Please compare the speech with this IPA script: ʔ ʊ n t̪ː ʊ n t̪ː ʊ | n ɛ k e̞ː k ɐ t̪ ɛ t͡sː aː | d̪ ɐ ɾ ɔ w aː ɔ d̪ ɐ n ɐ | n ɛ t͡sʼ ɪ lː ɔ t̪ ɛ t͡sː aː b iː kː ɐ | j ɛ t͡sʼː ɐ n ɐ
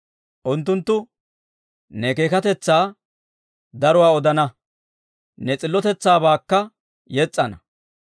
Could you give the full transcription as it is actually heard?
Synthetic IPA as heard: ʔ ʊ n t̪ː ʊ n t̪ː ʊ | n ɛ k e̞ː k ɐ t̪ ɛ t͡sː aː | d̪ ɐ ɾ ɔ w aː ɔ d̪ ɐ n ɐ | n ɛ t͡sʼ ɪ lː ɔ t̪ ɛ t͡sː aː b aː kː ɐ | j ɛ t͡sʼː ɐ n ɐ